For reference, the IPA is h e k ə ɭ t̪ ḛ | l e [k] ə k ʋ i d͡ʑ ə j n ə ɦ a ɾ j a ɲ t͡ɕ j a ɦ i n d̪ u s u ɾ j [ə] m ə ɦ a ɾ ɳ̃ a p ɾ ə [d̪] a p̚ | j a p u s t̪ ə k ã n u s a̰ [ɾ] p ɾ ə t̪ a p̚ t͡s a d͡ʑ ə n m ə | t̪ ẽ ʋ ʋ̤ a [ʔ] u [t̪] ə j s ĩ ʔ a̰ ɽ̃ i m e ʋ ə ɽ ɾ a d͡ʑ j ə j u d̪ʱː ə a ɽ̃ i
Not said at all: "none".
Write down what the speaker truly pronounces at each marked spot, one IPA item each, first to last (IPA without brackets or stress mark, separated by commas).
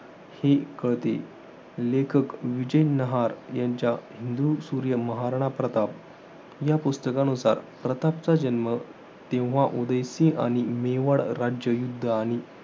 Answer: kʰ, ə, t̪, ɾ, ʔ, d̪